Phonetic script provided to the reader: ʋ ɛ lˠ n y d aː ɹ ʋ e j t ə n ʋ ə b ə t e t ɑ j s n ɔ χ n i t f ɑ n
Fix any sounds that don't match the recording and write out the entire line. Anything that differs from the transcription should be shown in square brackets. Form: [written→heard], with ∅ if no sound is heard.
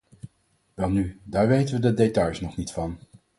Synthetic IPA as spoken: ʋ ɛ lˠ n y d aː ɹ ʋ e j t ə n ʋ ə [b→d] ə [t→d] e t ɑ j s n ɔ χ n i t f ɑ n